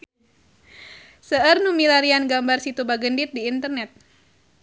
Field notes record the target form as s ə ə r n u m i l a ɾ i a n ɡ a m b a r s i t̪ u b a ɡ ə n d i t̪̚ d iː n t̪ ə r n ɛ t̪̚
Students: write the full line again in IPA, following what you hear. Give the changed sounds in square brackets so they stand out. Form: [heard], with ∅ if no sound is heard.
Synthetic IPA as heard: s ə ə r n u m i l a ɾ i a n ɡ a m b a r s i t̪ u b a ɡ ə n d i t̪̚ d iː n t̪ ə r n ɛ t̪̚